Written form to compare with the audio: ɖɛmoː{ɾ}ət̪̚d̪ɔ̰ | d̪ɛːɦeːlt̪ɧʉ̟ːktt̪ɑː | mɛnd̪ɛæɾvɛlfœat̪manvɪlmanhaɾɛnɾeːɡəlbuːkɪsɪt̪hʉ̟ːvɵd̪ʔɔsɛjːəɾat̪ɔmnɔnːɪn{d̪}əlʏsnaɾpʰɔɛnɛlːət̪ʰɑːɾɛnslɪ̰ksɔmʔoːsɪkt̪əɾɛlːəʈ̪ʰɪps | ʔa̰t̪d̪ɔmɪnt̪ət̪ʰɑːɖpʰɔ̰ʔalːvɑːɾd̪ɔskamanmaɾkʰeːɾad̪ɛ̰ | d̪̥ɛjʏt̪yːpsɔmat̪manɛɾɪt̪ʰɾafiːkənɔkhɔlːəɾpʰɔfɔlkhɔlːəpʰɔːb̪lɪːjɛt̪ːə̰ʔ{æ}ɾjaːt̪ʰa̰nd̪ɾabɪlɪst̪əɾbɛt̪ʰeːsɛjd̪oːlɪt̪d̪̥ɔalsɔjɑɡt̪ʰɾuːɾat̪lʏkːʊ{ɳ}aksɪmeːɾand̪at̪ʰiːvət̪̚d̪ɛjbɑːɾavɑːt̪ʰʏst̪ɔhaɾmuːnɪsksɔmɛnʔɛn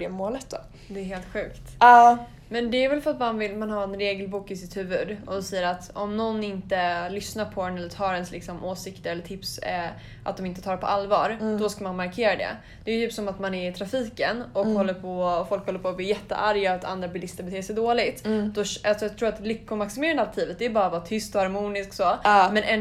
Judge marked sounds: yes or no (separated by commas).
no, no, no, no